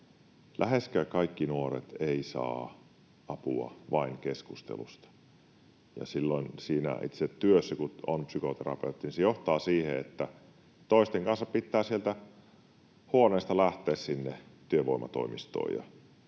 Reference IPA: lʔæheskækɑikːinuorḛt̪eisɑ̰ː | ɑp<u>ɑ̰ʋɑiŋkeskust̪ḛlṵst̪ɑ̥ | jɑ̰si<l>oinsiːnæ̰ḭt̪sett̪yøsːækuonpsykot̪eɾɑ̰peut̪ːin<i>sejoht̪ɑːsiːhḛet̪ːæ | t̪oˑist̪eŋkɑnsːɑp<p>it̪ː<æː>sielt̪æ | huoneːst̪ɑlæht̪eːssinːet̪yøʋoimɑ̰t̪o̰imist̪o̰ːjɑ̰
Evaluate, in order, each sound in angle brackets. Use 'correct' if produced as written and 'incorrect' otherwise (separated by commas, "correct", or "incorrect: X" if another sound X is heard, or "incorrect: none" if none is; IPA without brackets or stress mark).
correct, incorrect: lː, correct, correct, correct